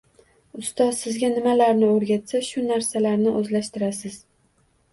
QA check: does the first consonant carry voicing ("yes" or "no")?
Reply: no